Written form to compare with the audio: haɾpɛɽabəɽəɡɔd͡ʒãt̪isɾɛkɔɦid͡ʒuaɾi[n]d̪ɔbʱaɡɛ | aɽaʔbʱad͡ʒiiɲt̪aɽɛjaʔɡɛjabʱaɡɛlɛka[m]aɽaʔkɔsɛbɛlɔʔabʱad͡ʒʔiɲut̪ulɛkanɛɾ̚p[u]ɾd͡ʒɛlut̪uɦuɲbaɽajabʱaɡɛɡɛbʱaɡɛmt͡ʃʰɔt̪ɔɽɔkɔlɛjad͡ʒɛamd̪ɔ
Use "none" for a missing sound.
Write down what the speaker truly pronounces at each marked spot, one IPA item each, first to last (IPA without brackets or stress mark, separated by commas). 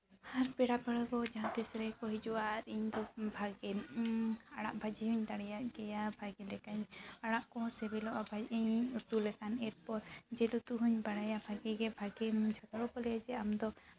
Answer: ɲ, ɲ, ɔ